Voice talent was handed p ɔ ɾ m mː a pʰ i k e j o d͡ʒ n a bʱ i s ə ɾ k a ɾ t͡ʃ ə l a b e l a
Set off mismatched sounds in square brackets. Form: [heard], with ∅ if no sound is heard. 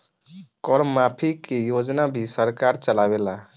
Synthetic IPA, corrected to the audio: [k] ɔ ɾ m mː a pʰ i k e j o d͡ʒ n a bʱ i s ə ɾ k a ɾ t͡ʃ ə l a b e l a